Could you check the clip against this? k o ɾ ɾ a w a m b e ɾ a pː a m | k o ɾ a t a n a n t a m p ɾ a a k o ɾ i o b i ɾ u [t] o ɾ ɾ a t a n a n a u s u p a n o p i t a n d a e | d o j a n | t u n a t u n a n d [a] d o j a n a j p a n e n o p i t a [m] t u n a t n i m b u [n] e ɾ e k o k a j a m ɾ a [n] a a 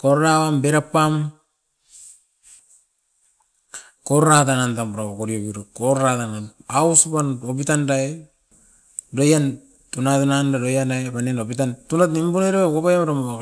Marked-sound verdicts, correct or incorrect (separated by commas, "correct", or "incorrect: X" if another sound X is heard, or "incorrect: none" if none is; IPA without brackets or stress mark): incorrect: k, correct, incorrect: n, correct, incorrect: m